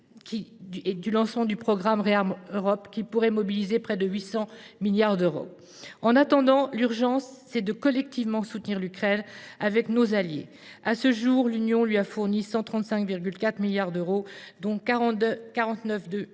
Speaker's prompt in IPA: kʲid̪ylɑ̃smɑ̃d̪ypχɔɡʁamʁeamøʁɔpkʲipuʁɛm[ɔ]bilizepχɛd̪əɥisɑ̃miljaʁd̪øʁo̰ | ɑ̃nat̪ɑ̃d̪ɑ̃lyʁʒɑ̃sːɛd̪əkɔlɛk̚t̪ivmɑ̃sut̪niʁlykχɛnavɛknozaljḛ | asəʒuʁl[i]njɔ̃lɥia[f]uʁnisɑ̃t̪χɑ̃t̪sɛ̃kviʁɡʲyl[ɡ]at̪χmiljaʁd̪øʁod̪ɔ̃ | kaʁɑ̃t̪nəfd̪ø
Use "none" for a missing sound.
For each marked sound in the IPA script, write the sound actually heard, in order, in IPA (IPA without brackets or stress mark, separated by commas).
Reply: ɔ, y, f, k